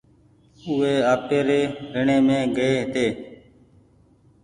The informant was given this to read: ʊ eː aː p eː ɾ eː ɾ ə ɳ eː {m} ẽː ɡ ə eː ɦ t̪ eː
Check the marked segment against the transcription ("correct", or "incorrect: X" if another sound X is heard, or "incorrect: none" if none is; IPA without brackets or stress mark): correct